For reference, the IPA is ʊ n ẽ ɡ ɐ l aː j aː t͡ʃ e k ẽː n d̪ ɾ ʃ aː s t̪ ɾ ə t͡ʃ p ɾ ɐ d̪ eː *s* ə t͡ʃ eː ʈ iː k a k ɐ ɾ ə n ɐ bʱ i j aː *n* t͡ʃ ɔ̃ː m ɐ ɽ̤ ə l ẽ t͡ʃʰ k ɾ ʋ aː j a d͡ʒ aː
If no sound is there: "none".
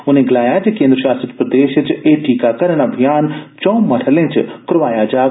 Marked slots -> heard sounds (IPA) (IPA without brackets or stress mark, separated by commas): ʃ, n